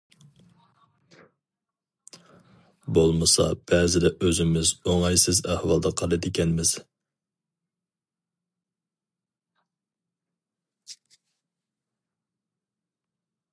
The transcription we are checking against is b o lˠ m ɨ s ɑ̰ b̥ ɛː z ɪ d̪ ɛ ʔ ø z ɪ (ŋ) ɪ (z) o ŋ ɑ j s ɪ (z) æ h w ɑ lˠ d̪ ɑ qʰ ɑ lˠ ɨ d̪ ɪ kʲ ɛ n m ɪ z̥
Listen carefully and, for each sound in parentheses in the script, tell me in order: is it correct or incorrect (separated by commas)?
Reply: incorrect, correct, correct